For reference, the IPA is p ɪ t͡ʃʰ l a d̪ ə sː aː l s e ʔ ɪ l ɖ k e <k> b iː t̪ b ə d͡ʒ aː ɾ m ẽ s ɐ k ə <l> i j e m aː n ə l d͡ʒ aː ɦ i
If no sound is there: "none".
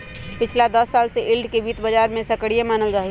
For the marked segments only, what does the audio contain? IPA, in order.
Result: none, ɽ

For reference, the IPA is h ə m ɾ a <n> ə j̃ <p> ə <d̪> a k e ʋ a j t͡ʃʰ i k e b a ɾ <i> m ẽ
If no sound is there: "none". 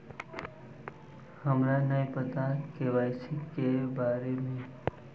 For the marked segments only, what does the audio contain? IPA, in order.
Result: n, p, t̪, e

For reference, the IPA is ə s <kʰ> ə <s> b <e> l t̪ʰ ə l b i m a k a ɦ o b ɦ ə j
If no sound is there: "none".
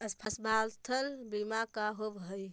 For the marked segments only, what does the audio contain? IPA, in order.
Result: pʰ, s, a

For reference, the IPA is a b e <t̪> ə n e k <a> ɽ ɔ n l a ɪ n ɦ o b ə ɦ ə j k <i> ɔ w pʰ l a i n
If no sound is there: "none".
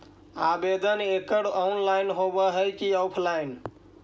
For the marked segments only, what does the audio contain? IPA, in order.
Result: d̪, ə, i

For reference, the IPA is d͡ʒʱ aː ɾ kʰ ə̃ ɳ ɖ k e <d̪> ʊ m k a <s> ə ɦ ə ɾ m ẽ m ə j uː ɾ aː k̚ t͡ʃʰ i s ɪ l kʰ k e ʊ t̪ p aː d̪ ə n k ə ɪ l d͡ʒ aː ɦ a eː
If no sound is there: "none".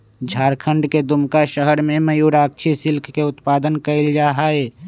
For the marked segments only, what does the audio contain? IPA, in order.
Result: d̪, ʃ

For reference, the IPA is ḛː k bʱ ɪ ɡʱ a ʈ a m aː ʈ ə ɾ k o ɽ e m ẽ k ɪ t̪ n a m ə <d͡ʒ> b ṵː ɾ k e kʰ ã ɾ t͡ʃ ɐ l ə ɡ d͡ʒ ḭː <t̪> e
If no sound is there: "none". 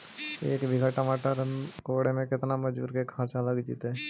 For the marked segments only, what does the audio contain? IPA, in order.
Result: d͡ʒ, t̪

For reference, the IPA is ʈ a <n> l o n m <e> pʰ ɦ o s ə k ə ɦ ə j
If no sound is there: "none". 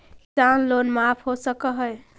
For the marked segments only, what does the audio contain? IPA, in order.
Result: n, a

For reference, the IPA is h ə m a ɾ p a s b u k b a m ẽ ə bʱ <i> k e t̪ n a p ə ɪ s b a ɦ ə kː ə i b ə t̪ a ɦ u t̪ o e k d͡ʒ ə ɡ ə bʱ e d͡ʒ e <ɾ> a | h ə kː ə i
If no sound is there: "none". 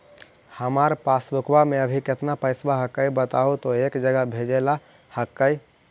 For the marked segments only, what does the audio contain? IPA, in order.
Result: i, l

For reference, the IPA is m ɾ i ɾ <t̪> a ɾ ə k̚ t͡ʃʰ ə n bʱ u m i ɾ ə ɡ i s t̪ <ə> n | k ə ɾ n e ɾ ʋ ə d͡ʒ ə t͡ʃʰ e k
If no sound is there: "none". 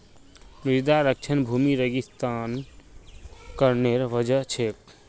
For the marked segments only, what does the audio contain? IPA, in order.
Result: d̪, a

